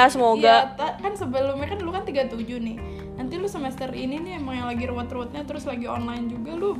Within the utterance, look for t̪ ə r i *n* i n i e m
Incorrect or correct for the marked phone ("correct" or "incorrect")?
correct